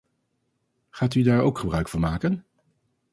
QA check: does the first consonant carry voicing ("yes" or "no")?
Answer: no